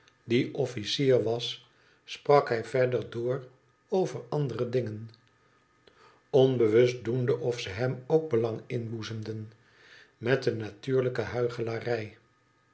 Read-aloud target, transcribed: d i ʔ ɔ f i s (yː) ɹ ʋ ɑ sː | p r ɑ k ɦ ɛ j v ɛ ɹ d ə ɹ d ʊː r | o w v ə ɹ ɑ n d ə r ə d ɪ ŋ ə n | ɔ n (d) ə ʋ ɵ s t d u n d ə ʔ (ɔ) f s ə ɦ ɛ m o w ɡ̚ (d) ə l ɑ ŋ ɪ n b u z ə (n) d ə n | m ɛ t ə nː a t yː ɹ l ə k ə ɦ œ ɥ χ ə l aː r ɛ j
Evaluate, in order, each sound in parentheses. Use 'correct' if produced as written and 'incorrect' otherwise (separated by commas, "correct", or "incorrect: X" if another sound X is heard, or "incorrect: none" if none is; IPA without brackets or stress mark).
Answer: incorrect: iː, incorrect: b, correct, incorrect: b, incorrect: m